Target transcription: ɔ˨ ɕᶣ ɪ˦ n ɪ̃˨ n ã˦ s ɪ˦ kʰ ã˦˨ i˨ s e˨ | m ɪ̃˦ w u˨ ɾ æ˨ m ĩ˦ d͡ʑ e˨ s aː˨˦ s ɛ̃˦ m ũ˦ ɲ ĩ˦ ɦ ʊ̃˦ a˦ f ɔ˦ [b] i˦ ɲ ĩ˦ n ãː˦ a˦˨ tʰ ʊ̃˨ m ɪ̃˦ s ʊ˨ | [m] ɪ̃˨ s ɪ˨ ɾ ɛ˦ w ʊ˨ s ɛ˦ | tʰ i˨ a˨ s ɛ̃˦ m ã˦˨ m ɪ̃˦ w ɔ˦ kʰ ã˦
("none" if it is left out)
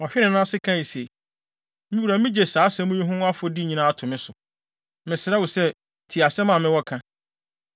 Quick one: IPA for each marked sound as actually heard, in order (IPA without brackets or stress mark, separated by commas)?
d, m